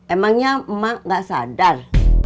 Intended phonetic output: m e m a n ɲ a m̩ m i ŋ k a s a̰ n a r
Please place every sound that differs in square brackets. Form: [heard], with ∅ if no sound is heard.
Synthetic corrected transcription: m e m a [ŋ] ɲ a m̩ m [a] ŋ [ɡ] a s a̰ [d] a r